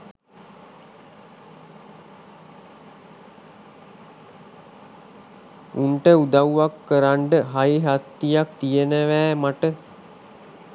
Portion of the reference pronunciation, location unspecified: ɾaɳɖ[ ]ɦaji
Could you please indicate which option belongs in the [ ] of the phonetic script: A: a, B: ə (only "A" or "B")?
B